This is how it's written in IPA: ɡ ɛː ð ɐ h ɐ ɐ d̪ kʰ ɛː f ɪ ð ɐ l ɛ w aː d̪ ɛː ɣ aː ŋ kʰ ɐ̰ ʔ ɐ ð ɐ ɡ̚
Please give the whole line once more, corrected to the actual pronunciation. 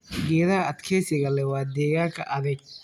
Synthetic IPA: ɡ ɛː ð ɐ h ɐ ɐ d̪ kʰ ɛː s ɪ ɣ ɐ l ɛ w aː d̪ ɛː ɣ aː ŋ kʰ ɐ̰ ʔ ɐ ð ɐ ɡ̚